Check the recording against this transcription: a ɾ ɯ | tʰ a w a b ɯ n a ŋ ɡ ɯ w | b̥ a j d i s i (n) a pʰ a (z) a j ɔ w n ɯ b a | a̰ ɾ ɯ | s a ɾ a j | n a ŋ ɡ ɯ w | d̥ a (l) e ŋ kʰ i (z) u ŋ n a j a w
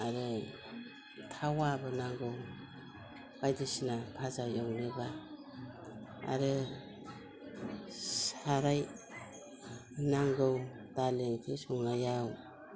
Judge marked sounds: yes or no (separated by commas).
yes, yes, yes, no